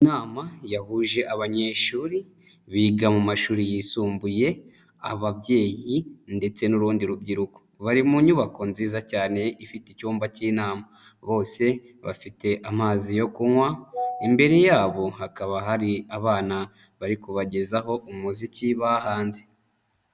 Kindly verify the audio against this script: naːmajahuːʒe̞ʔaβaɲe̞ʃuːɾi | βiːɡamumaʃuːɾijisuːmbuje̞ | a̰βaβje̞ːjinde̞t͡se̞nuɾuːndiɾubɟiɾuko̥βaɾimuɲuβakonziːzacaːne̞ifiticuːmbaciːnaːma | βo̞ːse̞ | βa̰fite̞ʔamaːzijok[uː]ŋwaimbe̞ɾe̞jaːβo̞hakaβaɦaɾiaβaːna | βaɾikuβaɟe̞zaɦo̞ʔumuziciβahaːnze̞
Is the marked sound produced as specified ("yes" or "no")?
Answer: no